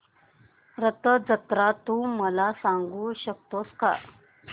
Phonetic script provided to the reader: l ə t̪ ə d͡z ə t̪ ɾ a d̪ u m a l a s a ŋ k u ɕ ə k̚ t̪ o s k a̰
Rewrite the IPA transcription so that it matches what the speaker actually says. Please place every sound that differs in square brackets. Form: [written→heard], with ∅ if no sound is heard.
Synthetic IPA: [l→ɾ] ə t̪ ə d͡z ə t̪ ɾ a [d̪→t̪] u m [a→ə] l a s a ŋ [k→ɡ] u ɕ ə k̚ t̪ o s k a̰